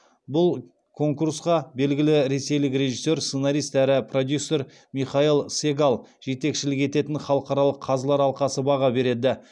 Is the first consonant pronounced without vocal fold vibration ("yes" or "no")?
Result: no